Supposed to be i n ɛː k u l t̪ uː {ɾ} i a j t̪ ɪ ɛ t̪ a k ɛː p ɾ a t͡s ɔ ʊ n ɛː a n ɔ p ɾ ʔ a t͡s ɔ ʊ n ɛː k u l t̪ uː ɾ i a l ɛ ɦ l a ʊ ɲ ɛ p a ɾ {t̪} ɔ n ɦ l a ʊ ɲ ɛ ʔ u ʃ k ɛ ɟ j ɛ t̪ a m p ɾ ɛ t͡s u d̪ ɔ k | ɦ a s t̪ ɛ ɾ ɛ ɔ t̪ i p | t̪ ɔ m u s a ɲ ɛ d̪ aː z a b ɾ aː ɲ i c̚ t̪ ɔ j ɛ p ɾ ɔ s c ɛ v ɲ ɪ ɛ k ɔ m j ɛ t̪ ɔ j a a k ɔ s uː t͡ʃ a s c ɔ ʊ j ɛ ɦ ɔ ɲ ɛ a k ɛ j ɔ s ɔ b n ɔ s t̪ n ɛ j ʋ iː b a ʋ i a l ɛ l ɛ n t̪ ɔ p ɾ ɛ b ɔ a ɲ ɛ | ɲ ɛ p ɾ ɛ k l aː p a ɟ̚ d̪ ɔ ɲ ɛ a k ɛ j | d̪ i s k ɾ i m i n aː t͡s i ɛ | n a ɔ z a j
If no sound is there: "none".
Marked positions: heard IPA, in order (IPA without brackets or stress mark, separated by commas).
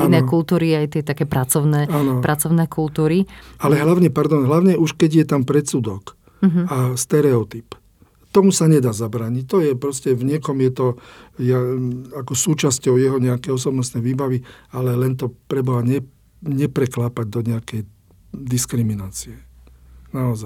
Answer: ɾ, d̪